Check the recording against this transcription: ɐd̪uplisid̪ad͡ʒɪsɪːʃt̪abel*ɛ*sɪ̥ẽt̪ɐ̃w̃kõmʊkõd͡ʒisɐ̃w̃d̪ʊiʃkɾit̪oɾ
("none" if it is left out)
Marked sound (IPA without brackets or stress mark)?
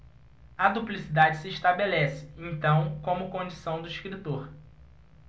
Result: ɛ